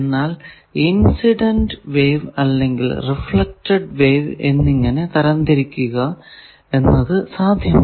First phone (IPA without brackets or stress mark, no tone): nː